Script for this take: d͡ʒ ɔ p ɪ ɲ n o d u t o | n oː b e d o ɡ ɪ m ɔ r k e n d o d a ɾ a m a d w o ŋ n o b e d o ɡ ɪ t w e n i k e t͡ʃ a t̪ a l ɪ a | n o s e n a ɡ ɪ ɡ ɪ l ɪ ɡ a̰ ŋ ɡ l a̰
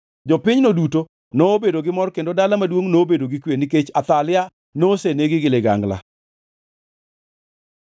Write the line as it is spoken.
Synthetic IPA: d͡ʒ ɔ p ɪ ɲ n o d u t o | n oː b e d o ɡ ɪ m ɔ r k e n d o d a l a m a d w o ŋ n o b e d o ɡ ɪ k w e n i k e t͡ʃ a t̪ a l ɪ a | n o s e n e ɡ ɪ ɡ ɪ l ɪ ɡ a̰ ŋ ɡ l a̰